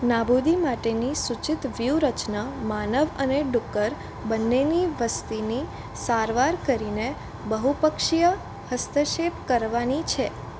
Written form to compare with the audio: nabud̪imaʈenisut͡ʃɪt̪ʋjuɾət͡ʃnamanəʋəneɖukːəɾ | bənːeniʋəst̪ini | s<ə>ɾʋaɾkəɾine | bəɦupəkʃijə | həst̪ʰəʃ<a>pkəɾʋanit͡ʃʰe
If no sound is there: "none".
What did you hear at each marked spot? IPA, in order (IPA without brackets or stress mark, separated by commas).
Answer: a, e